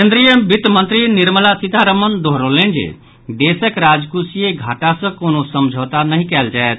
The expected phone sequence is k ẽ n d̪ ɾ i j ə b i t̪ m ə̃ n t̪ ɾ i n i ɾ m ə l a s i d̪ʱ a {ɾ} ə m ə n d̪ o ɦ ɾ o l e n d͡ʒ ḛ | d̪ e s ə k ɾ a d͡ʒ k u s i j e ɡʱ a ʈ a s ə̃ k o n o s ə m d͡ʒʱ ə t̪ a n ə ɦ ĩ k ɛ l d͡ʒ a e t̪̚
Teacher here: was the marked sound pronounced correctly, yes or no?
yes